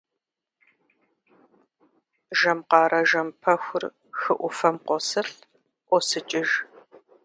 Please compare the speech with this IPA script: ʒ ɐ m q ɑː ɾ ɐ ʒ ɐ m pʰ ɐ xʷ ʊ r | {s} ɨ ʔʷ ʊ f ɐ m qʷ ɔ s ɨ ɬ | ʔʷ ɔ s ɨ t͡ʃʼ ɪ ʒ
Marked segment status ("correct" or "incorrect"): incorrect